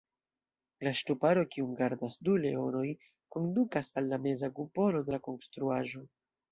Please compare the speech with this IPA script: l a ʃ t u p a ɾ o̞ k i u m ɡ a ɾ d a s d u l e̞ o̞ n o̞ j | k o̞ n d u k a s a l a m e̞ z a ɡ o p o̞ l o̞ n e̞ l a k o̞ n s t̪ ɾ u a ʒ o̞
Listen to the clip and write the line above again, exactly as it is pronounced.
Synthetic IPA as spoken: l a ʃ t u p a ɾ o̞ k i u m ɡ a ɾ d a s d u l e̞ o̞ n o̞ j | k o̞ n d u k a s a lː a m e̞ z a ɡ u p o̞ l o̞ d e̞ l a k o̞ n s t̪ ɾ u a ʒ o̞